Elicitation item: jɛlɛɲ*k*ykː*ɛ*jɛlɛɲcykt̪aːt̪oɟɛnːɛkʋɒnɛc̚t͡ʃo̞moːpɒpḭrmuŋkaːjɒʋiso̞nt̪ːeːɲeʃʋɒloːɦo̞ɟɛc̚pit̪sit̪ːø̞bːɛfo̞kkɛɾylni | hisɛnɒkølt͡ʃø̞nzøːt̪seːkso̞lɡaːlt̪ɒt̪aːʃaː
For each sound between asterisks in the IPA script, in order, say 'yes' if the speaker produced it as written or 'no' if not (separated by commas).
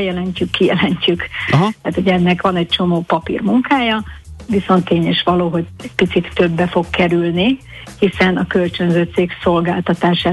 no, no